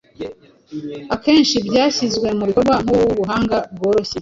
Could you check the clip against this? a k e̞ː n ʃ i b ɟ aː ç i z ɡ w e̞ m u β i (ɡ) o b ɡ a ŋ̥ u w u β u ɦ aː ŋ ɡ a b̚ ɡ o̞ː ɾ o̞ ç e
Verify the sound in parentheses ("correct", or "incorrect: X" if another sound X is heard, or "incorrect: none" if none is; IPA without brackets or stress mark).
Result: incorrect: k